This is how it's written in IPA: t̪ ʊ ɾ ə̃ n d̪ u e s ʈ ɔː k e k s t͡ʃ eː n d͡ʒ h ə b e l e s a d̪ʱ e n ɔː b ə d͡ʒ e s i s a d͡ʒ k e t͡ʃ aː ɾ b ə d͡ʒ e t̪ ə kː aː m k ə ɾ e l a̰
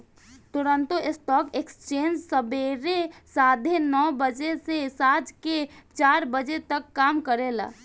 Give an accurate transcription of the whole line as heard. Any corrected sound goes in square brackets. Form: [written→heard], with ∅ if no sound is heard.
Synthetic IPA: t̪ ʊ ɾ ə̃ n [d̪→t̪] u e s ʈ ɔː k e k s t͡ʃ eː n d͡ʒ [h→s] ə b e [l→ɾ] e s a d̪ʱ e n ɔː b ə d͡ʒ e s [i→e] s a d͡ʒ k e t͡ʃ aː ɾ b ə d͡ʒ e t̪ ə kː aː m k ə ɾ e l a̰